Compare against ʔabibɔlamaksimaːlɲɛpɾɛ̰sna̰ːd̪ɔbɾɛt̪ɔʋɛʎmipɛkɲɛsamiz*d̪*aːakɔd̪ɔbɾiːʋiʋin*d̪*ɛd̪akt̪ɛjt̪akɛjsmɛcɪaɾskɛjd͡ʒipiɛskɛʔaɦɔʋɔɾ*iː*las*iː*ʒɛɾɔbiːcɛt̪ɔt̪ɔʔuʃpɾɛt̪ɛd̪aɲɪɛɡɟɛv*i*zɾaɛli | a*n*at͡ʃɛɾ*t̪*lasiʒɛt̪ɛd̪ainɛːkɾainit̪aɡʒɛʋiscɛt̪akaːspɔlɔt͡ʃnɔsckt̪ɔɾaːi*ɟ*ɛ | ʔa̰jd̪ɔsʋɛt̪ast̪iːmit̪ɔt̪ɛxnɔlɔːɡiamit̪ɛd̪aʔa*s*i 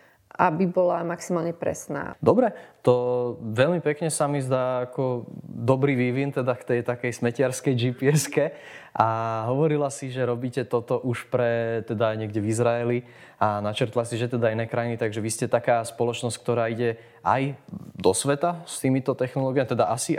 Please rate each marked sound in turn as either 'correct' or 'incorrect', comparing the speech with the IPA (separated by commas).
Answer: correct, incorrect, incorrect, incorrect, correct, correct, correct, correct, correct